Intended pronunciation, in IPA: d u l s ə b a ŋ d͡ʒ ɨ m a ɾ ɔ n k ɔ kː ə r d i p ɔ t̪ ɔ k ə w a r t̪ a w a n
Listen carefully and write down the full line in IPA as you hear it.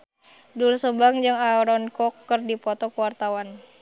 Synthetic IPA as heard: d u l s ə b a ŋ d͡ʒ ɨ ŋ a ɾ ɔ n k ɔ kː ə r d i p ɔ t̪ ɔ k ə w a r t̪ a w a n